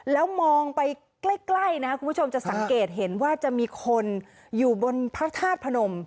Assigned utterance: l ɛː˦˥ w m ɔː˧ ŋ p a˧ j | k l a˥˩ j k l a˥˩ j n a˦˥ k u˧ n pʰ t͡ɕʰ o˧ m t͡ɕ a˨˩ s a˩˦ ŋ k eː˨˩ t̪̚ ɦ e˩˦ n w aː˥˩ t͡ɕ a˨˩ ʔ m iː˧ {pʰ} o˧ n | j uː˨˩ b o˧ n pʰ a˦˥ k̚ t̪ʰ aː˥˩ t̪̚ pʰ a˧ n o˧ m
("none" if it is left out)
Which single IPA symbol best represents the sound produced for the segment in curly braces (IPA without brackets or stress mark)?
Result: kʰ